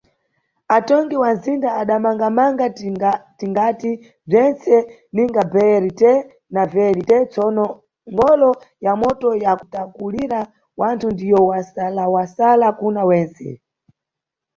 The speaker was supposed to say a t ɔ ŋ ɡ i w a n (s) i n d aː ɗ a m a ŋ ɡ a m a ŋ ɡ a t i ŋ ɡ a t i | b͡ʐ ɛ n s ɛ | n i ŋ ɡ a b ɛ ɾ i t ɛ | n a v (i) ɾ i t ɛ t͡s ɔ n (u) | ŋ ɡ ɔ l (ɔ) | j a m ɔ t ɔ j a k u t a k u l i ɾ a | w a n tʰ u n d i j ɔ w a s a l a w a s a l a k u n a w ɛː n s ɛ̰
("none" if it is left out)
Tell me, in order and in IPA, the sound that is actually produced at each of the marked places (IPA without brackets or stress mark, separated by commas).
z, ɛ, ɔ, ɔ